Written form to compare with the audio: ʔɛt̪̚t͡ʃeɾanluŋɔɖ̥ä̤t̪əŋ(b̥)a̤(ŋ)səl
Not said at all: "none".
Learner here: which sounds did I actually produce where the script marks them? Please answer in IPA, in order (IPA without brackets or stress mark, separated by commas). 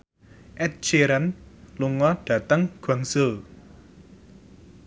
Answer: ɡ̥, ŋ